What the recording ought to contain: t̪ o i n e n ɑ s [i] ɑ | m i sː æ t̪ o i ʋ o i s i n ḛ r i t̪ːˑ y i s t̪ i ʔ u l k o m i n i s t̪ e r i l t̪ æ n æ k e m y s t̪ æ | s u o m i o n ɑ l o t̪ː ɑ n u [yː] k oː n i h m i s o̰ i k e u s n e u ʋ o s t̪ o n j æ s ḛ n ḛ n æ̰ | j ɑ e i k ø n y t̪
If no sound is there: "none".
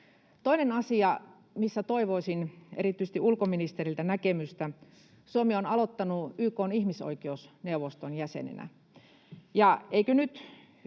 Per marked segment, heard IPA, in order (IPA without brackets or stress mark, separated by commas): i, yː